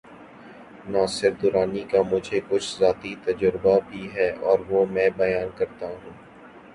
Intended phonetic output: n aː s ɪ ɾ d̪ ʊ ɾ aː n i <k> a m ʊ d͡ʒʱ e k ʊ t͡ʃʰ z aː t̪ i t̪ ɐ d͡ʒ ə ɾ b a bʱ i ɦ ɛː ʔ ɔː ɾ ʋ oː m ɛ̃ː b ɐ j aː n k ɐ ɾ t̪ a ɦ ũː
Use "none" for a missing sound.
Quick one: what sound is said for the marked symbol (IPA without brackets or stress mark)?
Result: k